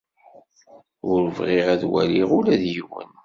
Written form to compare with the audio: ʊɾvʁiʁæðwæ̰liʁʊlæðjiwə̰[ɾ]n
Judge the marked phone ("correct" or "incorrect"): incorrect